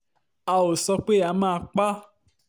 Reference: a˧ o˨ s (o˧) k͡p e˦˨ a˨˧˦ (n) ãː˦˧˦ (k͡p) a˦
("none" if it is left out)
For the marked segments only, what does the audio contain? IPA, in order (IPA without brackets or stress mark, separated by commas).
ɔ˧, m, k͡p